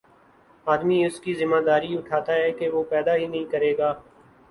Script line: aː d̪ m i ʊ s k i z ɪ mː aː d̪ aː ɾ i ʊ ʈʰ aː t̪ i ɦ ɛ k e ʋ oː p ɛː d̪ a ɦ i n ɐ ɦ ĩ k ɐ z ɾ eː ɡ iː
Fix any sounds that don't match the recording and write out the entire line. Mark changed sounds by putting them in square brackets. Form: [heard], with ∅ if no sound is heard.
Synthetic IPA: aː d̪ m i ʊ s k i z ɪ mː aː d̪ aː ɾ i ʊ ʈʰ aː t̪ [a] ɦ ɛ k e ʋ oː p ɛː d̪ a ɦ i n ɐ ɦ ĩ k ɐ [∅] ɾ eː ɡ [aː]